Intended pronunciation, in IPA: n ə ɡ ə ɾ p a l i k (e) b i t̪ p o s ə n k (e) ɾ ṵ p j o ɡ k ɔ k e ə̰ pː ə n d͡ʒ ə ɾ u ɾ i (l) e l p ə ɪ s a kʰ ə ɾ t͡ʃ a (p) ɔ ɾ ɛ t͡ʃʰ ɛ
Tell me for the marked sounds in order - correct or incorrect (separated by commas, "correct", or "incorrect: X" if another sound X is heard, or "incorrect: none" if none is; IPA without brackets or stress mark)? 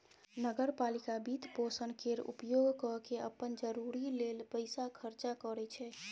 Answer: incorrect: a, correct, correct, incorrect: k